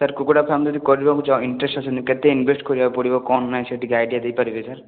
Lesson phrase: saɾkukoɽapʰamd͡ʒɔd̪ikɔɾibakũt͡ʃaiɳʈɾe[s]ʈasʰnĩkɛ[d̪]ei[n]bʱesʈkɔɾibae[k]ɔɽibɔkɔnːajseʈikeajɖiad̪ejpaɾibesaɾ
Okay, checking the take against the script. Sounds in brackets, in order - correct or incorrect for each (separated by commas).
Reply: correct, incorrect, correct, incorrect